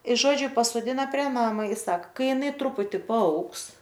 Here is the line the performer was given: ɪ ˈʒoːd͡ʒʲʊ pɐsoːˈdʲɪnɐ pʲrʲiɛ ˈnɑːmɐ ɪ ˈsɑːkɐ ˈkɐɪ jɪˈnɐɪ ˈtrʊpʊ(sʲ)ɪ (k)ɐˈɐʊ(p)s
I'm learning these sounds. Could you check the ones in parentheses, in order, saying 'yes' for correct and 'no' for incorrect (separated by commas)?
no, no, no